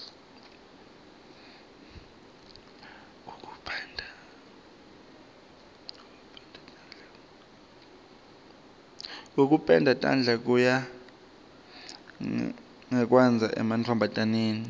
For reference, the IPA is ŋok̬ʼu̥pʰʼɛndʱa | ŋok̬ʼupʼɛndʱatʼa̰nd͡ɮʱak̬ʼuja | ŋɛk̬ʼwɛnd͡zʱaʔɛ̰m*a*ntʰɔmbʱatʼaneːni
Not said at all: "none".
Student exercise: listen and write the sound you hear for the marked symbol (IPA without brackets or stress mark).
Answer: a